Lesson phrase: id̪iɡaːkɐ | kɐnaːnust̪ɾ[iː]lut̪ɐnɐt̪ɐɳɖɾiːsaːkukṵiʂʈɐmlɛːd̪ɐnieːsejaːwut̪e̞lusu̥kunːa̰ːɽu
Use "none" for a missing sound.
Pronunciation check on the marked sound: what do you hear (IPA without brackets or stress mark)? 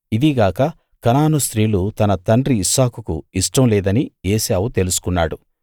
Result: iː